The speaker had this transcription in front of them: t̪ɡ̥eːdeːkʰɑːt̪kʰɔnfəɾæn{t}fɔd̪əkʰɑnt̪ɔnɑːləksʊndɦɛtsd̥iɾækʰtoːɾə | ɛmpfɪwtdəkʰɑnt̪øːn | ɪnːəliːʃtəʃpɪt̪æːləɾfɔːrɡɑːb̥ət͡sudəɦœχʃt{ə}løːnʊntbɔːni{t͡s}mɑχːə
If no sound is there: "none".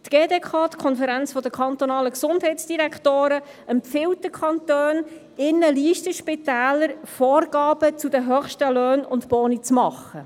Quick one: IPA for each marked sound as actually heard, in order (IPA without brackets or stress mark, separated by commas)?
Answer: t͡s, ə, t͡s